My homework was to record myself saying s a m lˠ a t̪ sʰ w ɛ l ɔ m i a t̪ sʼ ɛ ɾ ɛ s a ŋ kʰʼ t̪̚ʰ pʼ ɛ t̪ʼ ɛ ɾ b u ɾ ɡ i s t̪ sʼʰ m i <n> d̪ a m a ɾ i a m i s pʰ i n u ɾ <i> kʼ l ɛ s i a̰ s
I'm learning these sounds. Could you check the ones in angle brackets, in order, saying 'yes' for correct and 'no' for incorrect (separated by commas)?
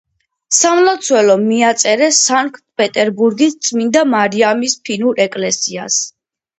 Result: yes, no